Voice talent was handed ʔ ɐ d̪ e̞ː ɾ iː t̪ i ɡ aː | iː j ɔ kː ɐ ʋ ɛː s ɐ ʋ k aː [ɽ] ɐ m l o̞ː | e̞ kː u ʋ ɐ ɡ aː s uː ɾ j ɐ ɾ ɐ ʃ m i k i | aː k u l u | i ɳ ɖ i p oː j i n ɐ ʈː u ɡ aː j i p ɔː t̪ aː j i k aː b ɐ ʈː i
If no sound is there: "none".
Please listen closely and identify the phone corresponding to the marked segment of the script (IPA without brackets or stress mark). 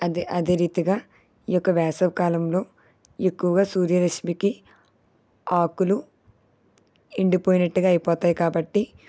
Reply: l